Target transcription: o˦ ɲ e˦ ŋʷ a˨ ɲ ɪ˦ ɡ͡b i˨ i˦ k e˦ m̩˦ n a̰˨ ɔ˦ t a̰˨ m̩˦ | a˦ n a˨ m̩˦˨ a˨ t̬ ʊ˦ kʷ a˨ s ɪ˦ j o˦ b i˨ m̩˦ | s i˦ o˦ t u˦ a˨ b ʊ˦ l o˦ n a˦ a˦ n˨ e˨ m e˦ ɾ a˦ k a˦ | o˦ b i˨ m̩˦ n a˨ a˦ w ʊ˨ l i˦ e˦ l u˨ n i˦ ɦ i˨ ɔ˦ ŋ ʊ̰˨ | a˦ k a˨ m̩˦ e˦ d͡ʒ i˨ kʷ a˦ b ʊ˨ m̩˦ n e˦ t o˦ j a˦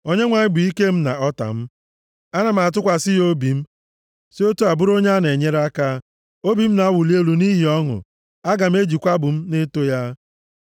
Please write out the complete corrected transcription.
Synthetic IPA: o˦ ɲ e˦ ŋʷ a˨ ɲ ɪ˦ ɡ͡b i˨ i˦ k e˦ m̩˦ n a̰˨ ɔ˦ t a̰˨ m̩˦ | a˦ n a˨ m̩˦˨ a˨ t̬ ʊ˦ kʷ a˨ s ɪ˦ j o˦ b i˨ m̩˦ | s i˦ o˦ t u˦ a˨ b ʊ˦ ɾ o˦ ɲ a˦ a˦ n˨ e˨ ɲ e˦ ɾ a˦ k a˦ | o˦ b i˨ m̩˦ n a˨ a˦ w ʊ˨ l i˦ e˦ l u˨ n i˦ ɦ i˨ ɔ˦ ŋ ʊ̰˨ | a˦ ɡ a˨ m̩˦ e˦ d͡ʒ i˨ kʷ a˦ b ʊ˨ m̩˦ n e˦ t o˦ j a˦

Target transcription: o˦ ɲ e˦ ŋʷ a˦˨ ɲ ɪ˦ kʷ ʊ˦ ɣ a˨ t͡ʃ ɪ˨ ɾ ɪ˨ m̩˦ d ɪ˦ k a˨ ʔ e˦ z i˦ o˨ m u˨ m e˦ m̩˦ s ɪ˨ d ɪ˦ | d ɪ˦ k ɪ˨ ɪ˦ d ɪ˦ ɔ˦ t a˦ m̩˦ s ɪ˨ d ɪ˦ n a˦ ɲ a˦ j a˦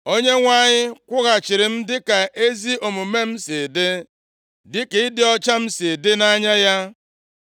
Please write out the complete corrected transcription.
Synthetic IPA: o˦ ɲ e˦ ŋʷ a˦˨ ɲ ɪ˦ kʷ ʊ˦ ɣ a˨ t͡ʃ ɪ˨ ɾ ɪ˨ m̩˦ d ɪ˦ k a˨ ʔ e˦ z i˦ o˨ m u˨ m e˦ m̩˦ s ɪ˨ d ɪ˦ | d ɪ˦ k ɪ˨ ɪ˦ d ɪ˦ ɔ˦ t͡ʃ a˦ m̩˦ s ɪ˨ d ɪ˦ n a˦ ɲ a˦ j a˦

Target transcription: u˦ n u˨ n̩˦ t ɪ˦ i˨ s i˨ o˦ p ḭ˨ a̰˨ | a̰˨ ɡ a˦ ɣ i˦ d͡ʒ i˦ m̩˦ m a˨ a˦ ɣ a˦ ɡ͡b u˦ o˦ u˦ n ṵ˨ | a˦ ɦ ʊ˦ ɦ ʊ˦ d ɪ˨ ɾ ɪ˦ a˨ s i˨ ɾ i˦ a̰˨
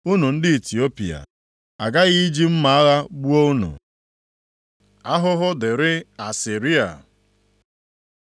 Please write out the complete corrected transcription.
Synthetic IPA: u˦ n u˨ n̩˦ d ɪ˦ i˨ t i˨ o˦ p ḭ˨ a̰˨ | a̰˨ ɡ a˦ ɣ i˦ d͡ʒ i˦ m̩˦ m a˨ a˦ ɣ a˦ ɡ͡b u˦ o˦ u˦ n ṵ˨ | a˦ ɦ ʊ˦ ɦ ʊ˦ d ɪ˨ ɾ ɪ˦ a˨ s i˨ ɾ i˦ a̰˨

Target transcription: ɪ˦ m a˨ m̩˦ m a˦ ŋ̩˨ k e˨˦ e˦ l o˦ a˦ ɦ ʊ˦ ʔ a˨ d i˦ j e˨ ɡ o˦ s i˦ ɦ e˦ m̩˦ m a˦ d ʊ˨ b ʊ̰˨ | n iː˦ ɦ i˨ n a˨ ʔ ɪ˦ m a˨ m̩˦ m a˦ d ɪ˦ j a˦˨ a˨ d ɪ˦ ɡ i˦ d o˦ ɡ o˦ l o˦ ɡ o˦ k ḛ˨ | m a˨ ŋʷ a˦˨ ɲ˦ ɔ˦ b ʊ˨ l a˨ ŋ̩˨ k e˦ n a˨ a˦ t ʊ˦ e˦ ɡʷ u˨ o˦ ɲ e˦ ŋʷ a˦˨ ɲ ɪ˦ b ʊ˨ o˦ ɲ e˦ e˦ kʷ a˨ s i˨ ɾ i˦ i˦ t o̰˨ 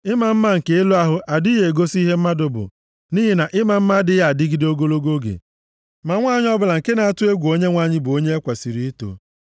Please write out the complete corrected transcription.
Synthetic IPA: ɪ˦ m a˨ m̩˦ m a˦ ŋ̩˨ k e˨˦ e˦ l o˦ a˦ ɦ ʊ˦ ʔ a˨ d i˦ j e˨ ɡ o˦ s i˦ ɦ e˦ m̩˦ m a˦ d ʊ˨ b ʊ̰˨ | n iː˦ ɦ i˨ n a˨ ʔ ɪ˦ m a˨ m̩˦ m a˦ d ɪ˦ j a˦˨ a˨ d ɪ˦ ɡ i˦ d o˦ ɡ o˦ l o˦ ɡ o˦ ɡ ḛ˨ | m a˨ ŋʷ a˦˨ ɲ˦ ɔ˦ b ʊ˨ l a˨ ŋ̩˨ k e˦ n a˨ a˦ t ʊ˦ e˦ ɡʷ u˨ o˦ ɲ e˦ ŋʷ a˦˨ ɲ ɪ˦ b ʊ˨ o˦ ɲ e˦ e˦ kʷ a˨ s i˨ ɾ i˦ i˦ t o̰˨

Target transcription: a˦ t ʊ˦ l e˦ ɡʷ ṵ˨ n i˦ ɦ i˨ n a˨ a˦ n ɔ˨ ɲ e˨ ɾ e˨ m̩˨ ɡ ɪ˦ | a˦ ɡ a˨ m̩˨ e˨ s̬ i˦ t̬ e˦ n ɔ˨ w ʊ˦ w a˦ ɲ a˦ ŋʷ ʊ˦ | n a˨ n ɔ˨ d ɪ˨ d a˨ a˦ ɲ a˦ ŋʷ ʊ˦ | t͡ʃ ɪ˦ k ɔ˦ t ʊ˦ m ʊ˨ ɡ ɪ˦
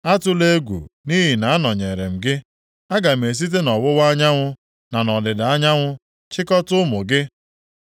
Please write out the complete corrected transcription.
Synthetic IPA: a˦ t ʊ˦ l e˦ ɡʷ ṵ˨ n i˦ ɦ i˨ n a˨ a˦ n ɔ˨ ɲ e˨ ɾ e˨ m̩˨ ɡ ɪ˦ | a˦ ɡ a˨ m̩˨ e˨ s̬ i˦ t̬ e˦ n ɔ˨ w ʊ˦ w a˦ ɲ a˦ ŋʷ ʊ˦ | n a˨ n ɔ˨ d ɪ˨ d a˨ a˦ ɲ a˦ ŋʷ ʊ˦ | t͡ʃ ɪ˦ k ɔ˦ t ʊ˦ m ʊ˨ ɡ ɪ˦

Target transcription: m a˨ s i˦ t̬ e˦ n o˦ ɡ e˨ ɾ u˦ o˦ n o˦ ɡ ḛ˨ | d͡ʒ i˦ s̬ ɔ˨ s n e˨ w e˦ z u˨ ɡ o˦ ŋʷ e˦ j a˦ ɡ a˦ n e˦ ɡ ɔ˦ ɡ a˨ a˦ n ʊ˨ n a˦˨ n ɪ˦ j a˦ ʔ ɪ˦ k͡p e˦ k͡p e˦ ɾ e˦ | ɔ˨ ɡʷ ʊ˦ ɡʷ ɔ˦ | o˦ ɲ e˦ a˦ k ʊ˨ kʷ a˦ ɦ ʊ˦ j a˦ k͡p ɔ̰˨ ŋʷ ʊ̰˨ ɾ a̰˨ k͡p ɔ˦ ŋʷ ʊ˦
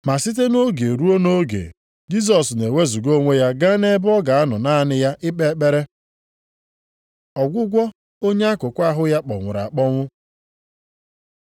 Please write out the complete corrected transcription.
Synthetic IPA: m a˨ s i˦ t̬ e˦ n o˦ ɡ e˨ ɾ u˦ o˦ n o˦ ɡ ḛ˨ | d͡ʒ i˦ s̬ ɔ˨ s n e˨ w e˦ z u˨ ɡ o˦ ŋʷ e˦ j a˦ ɡ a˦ n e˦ b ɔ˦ ɡ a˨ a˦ n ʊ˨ n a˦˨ n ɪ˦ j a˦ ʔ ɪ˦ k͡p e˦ k͡p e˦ ɾ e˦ | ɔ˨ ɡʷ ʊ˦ ɡʷ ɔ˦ | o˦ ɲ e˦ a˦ k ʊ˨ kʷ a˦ ɦ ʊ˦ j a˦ k͡p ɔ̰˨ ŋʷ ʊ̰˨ ɾ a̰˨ k͡p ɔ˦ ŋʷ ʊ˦

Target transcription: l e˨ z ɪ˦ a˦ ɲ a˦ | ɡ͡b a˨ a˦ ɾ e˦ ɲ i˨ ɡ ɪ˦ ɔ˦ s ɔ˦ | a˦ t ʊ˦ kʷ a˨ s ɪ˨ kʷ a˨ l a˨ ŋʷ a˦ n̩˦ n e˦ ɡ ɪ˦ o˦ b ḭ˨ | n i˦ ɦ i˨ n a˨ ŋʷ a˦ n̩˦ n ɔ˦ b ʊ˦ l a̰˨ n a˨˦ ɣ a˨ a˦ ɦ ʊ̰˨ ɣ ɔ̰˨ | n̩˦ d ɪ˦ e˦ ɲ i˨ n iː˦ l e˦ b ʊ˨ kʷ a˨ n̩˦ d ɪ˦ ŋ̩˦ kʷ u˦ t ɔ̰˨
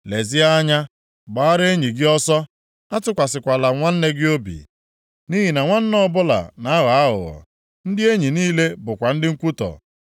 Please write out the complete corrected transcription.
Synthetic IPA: l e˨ z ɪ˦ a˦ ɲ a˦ | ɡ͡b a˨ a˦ ɾ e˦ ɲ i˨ ɡ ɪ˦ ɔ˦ s ɔ˦ | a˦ t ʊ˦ kʷ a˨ s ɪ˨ kʷ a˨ l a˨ ŋʷ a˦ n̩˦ n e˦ ɡ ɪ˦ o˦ b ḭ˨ | n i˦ ɦ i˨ n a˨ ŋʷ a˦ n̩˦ n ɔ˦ b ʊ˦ l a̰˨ n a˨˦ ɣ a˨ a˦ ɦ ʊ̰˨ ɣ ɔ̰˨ | n̩˦ d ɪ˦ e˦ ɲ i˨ n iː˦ l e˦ b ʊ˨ kʷ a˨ n̩˦ d ɪ˦ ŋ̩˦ kʷ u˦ t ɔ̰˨

